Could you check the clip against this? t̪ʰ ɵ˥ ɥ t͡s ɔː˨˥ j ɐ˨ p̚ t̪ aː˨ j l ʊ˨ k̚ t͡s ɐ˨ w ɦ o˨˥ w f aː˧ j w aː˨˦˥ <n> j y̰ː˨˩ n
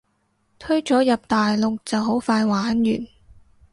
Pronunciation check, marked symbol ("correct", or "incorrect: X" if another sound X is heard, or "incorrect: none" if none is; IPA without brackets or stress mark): correct